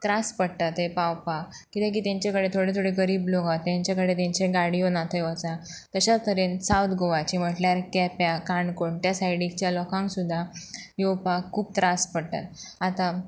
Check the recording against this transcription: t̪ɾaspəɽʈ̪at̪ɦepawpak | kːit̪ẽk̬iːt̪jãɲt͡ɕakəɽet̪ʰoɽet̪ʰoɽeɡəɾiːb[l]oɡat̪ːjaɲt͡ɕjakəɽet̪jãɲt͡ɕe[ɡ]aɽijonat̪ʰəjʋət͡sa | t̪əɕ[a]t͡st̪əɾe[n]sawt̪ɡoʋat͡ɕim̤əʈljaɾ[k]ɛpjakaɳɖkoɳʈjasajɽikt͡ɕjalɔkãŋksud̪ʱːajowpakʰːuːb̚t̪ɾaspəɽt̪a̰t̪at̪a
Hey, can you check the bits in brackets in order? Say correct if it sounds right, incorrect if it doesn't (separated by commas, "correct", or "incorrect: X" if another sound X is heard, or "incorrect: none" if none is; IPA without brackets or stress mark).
correct, correct, correct, correct, correct